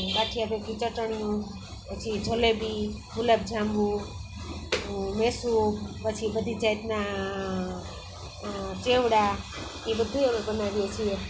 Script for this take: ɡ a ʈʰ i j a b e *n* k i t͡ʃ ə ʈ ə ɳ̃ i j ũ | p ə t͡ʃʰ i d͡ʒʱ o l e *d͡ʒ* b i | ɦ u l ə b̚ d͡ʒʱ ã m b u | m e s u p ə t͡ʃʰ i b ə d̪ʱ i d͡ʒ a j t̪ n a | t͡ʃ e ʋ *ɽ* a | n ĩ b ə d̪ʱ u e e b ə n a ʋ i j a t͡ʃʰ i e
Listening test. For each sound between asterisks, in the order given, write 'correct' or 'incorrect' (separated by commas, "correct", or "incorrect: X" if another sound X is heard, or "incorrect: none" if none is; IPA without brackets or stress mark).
incorrect: none, incorrect: none, correct